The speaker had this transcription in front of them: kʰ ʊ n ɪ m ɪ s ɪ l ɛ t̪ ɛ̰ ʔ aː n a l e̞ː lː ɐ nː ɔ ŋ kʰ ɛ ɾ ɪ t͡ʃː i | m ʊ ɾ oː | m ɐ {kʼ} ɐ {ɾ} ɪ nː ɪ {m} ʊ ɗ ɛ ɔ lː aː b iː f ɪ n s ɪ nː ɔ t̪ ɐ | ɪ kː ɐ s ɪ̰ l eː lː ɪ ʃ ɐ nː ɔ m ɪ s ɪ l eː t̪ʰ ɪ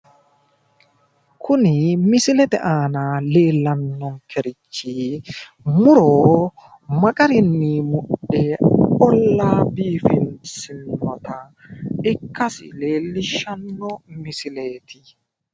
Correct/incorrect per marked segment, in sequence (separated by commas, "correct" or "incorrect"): correct, correct, correct